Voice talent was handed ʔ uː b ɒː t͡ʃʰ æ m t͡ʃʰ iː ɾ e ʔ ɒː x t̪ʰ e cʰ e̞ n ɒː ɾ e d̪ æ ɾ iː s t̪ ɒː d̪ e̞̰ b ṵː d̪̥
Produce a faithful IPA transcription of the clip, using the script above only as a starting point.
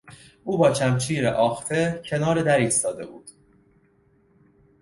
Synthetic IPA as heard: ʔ uː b ɒː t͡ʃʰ æ m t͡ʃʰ iː ɾ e ʔ ɒː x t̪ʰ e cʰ e̞ n ɒː ɾ e d̪ æ ɾ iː s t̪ ɒː d̪ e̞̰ b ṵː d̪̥